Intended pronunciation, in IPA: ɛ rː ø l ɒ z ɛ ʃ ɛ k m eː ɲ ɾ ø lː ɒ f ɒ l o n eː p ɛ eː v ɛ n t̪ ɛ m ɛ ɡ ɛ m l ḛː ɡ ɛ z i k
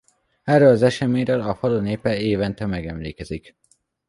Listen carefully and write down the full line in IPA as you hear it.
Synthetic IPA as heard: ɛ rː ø l ɒ z ɛ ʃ ɛ m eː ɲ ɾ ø l ɒ f ɒ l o n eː p ɛ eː v ɛ n t̪ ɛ m ɛ ɡ ɛ m l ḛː k ɛ z i k

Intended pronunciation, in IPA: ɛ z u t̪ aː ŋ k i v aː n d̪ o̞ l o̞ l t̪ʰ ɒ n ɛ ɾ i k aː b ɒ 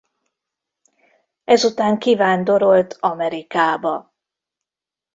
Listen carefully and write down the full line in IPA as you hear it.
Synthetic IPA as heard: ɛ z u t̪ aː ŋ k i v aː n d̪ o̞ ɾ o̞ l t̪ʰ ɒ m ɛ ɾ i k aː b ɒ

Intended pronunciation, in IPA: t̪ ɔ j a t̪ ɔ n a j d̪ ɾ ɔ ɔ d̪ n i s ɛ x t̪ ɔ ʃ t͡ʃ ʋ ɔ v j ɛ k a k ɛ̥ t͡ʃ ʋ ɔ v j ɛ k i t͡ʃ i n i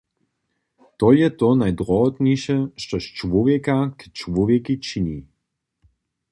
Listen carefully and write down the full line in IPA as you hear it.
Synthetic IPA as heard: t̪ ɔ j ɛ t̪ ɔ n a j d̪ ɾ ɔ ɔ t̪ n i ʃ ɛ ʃ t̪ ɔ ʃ t͡ʃ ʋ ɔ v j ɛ k a k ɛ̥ t͡ʃ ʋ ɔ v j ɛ k i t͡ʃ i n i

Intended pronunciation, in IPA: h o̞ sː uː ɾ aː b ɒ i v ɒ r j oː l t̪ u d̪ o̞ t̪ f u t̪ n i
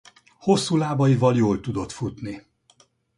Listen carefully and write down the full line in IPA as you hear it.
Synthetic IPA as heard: h o̞ sː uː l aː b ɒ i v ɒ l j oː l t̪ u d̪ o̞ t̪ f u t̪ n i

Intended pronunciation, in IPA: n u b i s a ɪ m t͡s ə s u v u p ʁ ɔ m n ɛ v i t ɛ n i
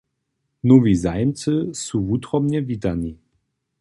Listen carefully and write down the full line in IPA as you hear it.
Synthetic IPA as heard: n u v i z a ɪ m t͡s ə s u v u t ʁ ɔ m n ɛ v i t a n i

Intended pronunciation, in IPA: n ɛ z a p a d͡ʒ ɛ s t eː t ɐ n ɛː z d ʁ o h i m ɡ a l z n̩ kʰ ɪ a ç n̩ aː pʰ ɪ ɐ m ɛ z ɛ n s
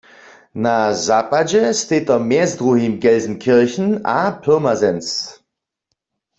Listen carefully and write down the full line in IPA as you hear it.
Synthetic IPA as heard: n a z a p a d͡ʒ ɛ s t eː t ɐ m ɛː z d ʁ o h i m ɡ ɛ l z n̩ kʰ ɪ ɐ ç n̩ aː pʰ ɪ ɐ m a z ɛ n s

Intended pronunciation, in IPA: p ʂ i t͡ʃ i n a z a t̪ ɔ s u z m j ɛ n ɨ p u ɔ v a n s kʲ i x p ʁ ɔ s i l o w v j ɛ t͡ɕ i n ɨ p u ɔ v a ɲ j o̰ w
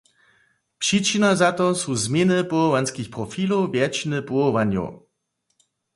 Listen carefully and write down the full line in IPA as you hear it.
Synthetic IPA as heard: p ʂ i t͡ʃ i n a z a t̪ ɔ s u z m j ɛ n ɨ p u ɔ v a n s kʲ i x p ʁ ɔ f i l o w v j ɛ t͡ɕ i n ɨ p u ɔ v a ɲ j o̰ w

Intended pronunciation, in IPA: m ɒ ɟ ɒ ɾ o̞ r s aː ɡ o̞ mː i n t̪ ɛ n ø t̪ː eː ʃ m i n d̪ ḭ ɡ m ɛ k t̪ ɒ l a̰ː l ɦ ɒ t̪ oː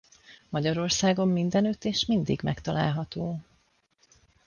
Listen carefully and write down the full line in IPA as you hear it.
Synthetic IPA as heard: m ɒ ɟ ɒ ɾ o̞ r s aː ɡ o̞ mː i n d̪ ɛ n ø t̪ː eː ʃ m i n d̪ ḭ ɡ m ɛ k t̪ ɒ l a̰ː l ɦ ɒ t̪ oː

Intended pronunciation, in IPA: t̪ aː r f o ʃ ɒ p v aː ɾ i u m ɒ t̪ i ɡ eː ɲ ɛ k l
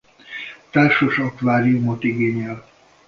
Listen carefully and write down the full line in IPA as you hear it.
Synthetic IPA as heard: t̪ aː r ʃ o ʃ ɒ k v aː ɾ i u m o t̪ i ɡ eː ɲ ɛ l

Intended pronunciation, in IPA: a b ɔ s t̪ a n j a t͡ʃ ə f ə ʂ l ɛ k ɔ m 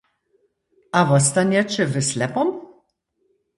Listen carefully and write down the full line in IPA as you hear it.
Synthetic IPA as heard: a v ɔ s t̪ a n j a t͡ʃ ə v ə s l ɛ p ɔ m

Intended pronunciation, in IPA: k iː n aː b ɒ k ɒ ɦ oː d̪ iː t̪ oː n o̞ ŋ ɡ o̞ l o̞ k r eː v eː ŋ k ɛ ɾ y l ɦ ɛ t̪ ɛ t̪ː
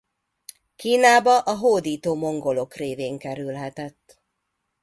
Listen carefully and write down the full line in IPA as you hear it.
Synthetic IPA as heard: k iː n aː b ɒ ʔ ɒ ɦ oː d̪ iː t̪ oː m o̞ ŋ ɡ o̞ l o̞ k r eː v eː ŋ k ɛ ɾ y l ɦ ɛ t̪ ɛ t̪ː

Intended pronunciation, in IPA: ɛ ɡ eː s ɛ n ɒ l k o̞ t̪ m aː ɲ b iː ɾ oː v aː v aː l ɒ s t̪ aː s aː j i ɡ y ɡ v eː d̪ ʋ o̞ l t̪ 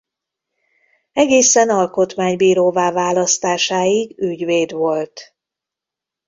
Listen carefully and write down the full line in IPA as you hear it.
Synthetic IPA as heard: ɛ ɡ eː s ɛ n ɒ l k o̞ t̪ m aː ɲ b iː ɾ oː v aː v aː l ɒ s t̪ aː ʃ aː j i ɡ y ɟ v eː d̪ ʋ o̞ l t̪

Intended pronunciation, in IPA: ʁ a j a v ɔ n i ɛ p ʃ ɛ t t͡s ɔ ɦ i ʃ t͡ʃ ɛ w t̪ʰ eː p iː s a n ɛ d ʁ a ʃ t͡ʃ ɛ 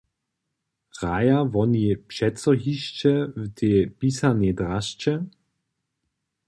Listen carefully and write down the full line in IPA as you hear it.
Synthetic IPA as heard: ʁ a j a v ɔ n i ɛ p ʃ ɛ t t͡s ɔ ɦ i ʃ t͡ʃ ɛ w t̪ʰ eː p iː s a n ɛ d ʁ a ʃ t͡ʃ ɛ

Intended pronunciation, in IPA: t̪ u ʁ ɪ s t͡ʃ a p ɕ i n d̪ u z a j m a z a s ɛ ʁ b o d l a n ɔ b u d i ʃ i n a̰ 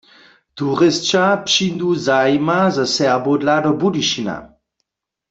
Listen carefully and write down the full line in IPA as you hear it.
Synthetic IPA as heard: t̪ u ʁ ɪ s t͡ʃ a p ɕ i n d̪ u z a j m a z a s ɛ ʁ b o d l a d ɔ b u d i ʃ i n a̰

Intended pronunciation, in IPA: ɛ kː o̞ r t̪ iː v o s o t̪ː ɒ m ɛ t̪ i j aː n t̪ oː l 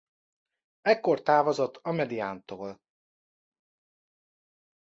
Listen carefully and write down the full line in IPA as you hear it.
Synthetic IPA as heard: ɛ kː o̞ r t̪ aː v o z o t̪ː ɒ m ɛ d̪ i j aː n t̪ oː l

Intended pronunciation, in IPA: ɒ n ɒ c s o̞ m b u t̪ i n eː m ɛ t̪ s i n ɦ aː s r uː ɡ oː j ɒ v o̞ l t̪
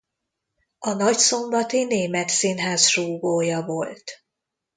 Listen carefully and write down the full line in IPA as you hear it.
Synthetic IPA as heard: ɒ n ɒ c s o̞ m b ɒ t̪ i n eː m ɛ t̪ s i n ɦ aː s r uː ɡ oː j ɒ v o̞ l t̪

